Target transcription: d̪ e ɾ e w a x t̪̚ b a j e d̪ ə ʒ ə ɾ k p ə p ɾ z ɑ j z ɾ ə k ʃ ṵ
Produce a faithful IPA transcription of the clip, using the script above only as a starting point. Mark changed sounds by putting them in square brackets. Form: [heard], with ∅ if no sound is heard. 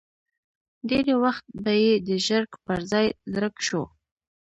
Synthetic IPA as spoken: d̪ e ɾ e w a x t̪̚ b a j e d̪ ə ʒ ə ɾ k p ə [∅] ɾ z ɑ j z ɾ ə k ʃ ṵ